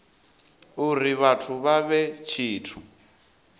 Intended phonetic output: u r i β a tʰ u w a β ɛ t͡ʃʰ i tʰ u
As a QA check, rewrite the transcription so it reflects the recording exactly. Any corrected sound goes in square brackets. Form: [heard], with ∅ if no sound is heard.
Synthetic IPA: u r i β a tʰ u [β] a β ɛ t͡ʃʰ [iː] tʰ u